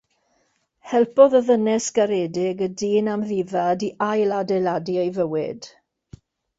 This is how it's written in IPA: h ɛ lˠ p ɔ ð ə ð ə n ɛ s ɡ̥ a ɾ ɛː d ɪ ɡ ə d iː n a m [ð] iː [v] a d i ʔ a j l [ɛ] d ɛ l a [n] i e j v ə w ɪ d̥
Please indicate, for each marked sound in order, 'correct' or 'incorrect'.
correct, correct, incorrect: a, incorrect: d

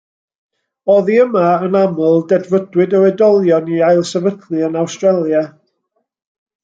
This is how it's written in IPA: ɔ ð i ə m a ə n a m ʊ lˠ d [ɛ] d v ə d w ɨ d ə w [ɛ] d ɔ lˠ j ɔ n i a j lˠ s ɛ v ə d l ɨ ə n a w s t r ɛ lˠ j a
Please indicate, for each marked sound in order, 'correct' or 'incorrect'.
correct, correct

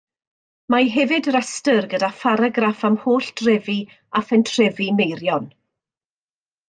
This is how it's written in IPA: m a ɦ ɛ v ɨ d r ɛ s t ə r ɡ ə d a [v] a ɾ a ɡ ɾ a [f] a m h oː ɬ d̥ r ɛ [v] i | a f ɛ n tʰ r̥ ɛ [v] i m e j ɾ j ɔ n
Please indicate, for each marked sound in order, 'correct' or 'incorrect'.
incorrect: f, correct, correct, correct

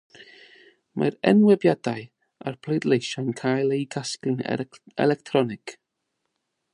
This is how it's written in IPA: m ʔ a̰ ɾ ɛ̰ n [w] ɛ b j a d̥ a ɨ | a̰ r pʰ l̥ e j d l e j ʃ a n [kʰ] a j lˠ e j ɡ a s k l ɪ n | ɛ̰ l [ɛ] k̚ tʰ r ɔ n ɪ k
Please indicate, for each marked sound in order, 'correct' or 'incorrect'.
correct, correct, correct

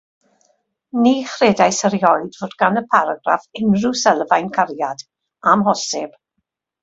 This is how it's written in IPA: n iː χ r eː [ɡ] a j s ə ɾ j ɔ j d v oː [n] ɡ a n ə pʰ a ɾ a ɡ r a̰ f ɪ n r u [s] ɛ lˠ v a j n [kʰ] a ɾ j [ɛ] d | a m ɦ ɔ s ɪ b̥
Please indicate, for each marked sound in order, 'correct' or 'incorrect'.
incorrect: d, incorrect: d, correct, correct, incorrect: a

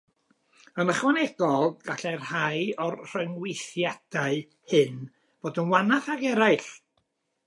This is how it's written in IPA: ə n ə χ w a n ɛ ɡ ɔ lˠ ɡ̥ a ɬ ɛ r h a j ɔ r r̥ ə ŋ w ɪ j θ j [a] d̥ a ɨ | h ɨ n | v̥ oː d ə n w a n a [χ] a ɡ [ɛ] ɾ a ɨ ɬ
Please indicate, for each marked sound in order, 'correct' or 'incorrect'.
correct, incorrect: θ, correct

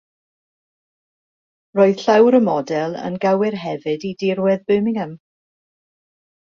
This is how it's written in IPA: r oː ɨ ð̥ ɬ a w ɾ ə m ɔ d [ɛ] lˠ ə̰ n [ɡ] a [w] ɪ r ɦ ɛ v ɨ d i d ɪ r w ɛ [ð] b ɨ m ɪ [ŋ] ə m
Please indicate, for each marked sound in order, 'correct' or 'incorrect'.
correct, correct, correct, correct, correct

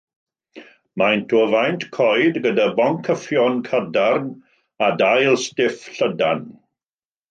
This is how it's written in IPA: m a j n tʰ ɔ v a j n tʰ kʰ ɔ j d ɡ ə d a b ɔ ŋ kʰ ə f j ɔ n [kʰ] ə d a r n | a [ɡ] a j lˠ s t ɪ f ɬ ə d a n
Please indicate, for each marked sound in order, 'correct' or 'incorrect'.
correct, incorrect: d

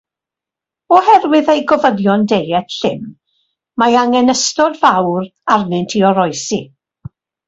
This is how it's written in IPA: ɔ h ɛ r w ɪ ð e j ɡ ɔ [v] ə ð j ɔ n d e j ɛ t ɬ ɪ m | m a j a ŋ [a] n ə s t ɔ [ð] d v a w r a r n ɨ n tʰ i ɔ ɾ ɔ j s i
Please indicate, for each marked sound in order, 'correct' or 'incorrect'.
correct, incorrect: ɛ, incorrect: none

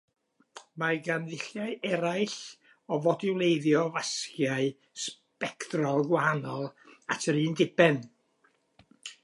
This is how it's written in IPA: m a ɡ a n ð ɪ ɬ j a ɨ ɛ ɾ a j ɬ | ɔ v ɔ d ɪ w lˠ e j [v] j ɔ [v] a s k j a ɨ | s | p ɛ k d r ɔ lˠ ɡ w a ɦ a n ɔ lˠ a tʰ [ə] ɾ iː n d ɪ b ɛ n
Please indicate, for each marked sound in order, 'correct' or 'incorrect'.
incorrect: ð, correct, correct

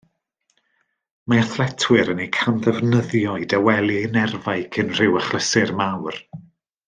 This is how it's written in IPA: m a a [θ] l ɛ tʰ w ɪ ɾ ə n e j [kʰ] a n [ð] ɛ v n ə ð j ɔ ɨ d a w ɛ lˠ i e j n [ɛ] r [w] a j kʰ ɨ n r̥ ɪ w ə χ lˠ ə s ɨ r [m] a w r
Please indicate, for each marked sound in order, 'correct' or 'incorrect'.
correct, correct, correct, correct, incorrect: v, correct

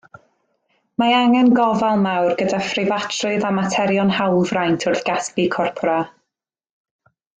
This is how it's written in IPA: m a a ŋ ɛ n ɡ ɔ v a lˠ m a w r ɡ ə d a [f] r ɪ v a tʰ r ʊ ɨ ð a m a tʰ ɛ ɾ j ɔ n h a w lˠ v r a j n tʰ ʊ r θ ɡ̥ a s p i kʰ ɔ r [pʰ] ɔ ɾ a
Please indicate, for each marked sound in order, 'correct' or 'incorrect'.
correct, correct

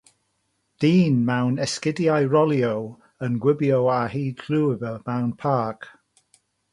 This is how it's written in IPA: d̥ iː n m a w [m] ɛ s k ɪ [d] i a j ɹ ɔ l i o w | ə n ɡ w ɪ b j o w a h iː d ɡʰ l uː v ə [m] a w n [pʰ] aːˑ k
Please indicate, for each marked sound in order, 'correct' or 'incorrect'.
incorrect: n, correct, correct, correct

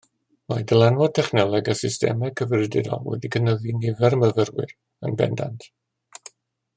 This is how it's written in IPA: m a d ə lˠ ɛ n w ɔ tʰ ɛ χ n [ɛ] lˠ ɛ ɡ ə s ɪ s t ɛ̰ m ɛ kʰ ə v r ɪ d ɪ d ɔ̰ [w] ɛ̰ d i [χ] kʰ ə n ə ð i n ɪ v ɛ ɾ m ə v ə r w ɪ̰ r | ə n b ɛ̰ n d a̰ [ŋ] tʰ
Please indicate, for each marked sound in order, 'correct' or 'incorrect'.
correct, correct, incorrect: none, incorrect: n

